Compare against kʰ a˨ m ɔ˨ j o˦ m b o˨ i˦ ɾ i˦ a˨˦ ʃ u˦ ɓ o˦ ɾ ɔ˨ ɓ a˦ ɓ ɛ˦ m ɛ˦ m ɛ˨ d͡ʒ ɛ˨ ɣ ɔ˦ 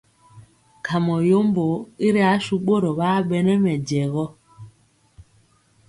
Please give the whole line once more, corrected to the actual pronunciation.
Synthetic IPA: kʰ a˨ m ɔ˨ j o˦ m b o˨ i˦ ɾ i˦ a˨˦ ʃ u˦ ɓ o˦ ɾ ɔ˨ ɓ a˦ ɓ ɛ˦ n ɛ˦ m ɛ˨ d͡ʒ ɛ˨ ɣ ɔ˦